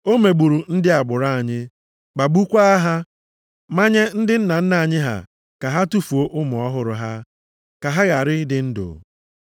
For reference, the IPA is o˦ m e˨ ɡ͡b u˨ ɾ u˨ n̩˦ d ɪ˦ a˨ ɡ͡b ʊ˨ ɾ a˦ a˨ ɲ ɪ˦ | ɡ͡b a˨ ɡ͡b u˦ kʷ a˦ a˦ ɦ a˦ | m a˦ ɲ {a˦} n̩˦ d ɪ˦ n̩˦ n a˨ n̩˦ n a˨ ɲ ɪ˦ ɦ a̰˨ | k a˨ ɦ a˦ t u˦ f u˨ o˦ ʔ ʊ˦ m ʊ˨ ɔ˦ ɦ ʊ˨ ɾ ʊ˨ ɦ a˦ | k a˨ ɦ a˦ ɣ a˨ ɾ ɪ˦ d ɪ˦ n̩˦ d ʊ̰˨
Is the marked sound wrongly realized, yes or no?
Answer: yes